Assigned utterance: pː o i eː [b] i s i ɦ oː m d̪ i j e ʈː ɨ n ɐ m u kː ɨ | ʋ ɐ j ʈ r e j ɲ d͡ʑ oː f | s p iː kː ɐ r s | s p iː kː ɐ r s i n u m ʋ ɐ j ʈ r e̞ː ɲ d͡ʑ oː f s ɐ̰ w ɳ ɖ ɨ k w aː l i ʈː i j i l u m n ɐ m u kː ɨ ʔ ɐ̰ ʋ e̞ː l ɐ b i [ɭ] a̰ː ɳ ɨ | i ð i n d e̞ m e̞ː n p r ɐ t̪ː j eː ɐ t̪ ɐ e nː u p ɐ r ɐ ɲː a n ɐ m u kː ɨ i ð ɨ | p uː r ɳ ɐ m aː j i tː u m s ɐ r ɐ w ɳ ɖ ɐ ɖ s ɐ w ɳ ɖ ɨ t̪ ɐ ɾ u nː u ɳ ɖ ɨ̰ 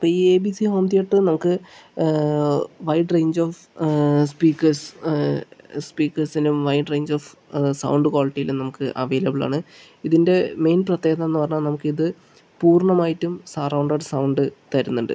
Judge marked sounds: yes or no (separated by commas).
yes, yes